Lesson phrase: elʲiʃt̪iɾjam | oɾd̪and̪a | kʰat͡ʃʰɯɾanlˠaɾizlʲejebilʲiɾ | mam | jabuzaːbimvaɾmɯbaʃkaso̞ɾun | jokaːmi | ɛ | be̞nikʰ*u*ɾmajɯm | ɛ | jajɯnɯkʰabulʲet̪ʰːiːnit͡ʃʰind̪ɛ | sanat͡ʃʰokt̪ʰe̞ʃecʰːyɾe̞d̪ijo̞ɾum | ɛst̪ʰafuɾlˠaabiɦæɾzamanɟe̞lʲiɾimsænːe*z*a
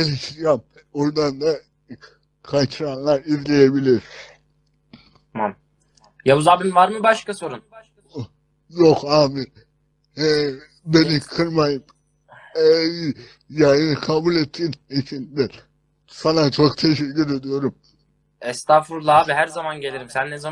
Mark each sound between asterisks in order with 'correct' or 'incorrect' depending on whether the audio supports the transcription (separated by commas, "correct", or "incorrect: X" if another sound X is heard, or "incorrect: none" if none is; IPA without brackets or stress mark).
incorrect: ɯ, correct